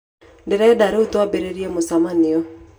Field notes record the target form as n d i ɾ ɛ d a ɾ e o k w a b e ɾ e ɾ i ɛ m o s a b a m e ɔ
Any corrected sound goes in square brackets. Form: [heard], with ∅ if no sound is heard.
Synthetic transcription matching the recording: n d [e] ɾ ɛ d a ɾ e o [t] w a b e ɾ e ɾ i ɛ m o s a [m] a [n] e ɔ